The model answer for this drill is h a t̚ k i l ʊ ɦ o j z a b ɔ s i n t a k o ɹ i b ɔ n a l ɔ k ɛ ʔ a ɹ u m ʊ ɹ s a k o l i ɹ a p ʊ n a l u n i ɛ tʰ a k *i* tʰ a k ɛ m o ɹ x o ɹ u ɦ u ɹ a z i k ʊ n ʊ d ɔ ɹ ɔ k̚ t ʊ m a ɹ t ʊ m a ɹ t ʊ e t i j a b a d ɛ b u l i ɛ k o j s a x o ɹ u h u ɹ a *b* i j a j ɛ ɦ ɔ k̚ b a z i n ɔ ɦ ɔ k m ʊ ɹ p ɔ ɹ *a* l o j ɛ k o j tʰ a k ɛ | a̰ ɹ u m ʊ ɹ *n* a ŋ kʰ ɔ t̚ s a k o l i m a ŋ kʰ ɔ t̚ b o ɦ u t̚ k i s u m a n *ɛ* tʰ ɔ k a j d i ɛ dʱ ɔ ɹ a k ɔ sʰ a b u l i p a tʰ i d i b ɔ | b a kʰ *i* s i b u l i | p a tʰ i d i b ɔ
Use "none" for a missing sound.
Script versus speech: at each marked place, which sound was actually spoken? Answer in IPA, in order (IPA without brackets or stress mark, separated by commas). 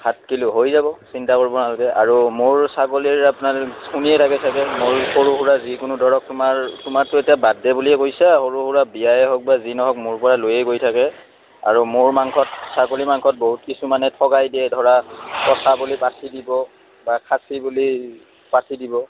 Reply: ɛ, b, a, m, ɛ, a